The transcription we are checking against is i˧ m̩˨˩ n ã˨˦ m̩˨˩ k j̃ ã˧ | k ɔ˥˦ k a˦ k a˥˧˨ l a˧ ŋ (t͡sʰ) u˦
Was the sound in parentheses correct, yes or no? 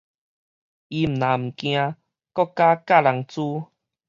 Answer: no